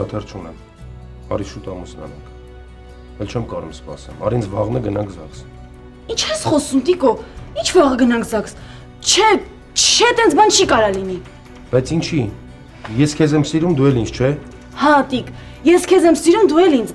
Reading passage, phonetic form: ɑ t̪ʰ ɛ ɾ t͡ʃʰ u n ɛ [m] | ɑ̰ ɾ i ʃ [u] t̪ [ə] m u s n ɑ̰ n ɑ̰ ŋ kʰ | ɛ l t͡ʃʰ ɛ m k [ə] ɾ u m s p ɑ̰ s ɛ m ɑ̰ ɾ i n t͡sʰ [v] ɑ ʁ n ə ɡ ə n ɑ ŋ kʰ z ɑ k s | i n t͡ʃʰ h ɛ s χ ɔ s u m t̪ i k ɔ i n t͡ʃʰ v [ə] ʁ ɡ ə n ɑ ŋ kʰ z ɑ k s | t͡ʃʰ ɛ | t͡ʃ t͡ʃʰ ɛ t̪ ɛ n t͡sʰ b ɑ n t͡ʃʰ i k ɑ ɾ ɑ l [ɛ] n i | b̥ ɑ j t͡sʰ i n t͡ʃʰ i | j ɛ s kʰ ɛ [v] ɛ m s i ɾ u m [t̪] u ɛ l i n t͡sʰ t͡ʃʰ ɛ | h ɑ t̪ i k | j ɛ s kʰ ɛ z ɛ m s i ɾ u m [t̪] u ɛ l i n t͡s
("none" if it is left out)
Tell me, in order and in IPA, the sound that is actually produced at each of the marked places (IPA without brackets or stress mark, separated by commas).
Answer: m, u, ɑ, ɑ, v, ɑ, i, z, d̪, d̪